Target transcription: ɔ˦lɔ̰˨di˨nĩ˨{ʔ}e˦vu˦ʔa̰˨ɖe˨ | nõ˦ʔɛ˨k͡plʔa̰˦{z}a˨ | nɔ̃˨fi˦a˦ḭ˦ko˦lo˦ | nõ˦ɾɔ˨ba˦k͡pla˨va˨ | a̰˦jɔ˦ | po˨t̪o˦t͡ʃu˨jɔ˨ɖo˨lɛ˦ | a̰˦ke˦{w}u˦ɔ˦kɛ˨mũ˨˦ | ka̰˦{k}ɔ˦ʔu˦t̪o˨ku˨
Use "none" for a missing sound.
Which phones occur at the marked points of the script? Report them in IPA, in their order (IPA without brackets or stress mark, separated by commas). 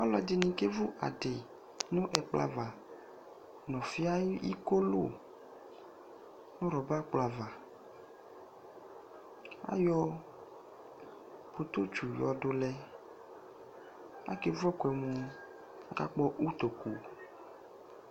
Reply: k, v, v, k͡p